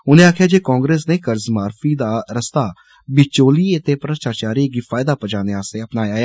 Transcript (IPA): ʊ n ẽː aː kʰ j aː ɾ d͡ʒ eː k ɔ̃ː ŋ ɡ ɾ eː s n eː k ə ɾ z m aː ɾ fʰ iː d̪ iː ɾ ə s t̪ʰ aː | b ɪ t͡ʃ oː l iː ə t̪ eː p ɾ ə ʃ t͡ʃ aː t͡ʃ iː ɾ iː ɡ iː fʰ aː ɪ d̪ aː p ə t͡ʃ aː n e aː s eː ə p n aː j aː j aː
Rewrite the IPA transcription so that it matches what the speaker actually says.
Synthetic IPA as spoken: ʊ n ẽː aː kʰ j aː d͡ʒ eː k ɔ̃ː ŋ ɡ ɾ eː s n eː k ə ɾ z m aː ɾ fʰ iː d̪ aː ɾ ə s t̪ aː | b ɪ t͡ʃ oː l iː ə t̪ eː p ɾ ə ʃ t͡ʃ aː t͡ʃ aː ɾ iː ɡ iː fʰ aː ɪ d̪ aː p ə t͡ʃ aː n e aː s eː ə p n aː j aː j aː